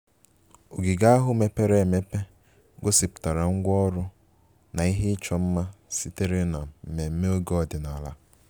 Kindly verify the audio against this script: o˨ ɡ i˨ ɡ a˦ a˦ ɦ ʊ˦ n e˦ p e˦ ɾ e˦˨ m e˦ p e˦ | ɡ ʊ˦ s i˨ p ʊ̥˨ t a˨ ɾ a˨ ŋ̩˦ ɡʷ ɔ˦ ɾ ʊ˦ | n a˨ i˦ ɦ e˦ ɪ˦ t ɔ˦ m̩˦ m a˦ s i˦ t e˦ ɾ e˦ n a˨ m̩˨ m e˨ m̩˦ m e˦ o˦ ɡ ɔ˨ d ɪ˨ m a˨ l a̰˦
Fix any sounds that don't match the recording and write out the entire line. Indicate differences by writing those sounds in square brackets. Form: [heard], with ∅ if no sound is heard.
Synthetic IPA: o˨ ɡ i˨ ɡ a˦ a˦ ɦ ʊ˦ [m] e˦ p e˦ ɾ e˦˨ m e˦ p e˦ | ɡ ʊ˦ s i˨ p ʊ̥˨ t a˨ ɾ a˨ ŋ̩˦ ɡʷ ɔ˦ ɾ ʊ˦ | n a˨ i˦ ɦ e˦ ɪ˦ [t͡ʃ] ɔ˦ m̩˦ m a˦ s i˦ t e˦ ɾ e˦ n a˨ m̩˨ m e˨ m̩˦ m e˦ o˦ ɡ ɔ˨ d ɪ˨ [n] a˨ l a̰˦